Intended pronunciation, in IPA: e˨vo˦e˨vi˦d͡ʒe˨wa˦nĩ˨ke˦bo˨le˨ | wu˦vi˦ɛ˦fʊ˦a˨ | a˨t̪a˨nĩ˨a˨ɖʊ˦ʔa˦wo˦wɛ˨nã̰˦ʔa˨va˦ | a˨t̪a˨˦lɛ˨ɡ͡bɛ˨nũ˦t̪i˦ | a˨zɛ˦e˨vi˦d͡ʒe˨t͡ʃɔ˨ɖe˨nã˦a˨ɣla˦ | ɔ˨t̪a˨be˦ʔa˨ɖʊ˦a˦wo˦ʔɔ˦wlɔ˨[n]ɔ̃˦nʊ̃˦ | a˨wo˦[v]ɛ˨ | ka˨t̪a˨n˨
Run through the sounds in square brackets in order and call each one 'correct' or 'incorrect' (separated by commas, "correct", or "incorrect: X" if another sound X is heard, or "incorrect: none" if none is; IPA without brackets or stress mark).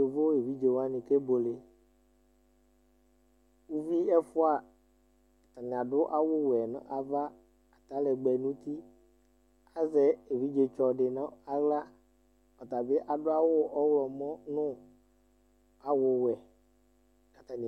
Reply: incorrect: m, incorrect: w